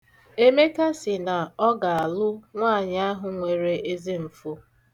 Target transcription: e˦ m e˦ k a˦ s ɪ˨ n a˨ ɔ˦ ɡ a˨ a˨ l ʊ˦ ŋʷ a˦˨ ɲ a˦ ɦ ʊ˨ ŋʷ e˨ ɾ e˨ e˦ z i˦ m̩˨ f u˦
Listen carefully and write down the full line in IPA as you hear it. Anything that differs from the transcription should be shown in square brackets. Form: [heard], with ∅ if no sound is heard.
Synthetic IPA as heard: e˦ m e˦ k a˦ s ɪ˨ n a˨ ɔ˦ ɡ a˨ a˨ l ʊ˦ ŋʷ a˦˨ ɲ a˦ ɦ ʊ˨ ŋʷ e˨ ɾ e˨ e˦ z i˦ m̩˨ f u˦